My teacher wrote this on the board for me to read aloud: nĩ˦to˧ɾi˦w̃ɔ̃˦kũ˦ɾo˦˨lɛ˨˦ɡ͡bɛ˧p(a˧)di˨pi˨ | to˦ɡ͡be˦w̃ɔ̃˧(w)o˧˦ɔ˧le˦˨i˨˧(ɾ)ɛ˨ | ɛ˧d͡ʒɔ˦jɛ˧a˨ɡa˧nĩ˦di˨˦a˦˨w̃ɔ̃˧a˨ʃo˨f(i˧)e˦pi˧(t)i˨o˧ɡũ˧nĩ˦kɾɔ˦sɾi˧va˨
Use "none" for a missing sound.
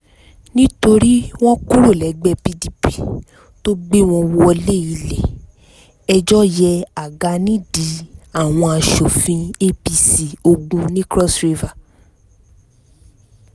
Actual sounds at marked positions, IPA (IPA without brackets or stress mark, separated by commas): i˧, w, l, ĩ˧, s